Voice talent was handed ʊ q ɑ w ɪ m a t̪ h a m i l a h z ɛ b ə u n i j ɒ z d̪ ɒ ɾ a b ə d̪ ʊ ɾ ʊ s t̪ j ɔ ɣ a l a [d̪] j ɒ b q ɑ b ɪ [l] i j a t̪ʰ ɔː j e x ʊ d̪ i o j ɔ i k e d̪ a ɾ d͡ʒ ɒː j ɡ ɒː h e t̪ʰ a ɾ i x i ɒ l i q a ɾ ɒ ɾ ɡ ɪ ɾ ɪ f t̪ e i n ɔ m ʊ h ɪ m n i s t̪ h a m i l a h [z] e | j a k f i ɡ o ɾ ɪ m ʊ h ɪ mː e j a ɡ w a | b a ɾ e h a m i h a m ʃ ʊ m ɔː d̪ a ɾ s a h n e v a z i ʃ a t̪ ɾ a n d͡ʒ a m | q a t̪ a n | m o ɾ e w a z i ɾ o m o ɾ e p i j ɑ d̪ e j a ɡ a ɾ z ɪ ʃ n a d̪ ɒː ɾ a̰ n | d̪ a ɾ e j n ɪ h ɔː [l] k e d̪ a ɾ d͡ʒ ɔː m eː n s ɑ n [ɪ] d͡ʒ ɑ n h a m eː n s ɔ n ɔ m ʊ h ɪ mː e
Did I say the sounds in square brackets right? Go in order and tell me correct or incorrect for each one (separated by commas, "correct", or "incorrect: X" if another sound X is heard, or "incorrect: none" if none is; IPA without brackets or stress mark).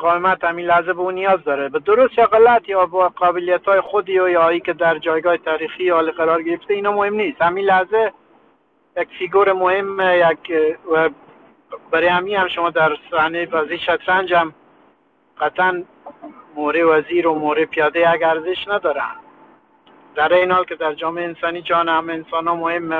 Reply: incorrect: t̪, correct, correct, correct, incorrect: i